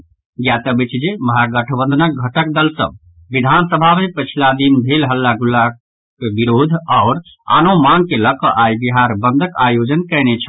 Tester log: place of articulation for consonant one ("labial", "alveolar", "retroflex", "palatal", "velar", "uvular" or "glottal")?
velar